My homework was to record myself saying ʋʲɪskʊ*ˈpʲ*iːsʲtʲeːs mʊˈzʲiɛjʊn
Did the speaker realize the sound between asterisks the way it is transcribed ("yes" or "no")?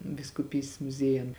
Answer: yes